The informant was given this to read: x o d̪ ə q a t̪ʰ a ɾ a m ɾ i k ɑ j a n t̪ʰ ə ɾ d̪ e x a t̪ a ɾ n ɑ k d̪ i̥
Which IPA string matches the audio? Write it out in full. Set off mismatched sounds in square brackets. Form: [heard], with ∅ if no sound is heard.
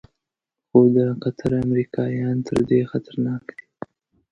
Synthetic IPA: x o d̪ ə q a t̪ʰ a ɾ a m ɾ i k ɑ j [ɑ] n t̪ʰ ə ɾ d̪ e x a t̪ a ɾ n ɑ k d̪ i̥